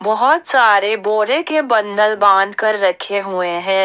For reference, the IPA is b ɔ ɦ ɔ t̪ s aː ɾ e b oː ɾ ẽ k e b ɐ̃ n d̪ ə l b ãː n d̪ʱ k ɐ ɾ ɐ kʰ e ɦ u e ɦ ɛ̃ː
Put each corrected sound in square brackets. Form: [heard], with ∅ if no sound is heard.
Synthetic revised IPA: b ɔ ɦ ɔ t̪ s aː ɾ e b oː ɾ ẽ k e b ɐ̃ n d̪ ə l b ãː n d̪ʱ k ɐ [ɾː] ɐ kʰ e ɦ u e ɦ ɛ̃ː